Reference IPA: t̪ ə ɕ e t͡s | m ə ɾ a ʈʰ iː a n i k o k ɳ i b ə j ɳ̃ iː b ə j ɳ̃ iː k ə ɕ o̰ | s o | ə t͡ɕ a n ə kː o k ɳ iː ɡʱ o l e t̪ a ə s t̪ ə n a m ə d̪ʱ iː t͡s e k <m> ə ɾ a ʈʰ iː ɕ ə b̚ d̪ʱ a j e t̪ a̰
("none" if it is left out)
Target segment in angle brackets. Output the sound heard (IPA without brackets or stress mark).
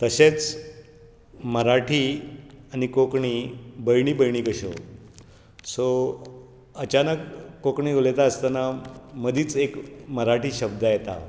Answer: m